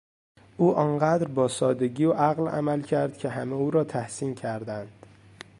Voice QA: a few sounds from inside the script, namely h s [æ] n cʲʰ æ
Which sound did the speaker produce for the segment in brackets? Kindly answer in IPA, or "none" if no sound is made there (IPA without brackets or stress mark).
i